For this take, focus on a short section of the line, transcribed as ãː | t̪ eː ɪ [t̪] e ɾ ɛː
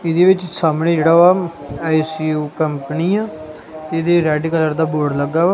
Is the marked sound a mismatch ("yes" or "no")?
yes